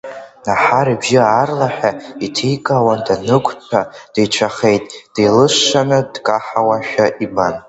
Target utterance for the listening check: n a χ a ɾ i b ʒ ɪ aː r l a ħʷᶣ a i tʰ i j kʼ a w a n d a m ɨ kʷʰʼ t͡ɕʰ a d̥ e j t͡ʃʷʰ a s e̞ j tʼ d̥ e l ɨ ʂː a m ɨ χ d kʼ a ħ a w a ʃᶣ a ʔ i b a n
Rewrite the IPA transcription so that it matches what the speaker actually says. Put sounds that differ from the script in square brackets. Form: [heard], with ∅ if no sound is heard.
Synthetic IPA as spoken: n a [ħ] a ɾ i b ʒ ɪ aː r l a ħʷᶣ a i tʰ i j kʼ a w a n d a [n] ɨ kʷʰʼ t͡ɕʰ a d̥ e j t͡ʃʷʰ a [χ] e̞ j tʼ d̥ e l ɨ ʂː a [n] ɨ [∅] d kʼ a ħ a w a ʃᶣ a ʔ i b a n